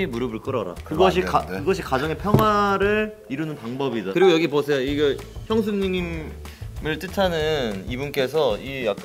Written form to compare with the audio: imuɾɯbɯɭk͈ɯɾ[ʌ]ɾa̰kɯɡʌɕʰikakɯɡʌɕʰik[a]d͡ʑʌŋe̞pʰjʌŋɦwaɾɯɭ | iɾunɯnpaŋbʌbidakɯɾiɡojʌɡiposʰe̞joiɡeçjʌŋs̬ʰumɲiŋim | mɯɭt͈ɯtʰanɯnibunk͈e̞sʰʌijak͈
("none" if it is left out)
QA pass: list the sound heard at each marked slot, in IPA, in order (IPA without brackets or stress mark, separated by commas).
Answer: ʌ, a